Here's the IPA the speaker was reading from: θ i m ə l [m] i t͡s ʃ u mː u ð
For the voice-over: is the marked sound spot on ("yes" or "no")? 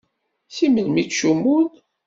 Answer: yes